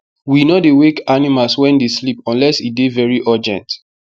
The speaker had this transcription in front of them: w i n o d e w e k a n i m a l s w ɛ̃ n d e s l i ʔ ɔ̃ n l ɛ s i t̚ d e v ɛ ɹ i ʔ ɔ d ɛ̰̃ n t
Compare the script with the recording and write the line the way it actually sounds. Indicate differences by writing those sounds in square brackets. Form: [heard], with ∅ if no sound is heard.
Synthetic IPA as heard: w i n o d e w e k a n i m a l s w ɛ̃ n d e s l i [p] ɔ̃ n l ɛ s i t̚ d e v ɛ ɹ i ʔ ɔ [d͡ʒ] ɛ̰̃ n t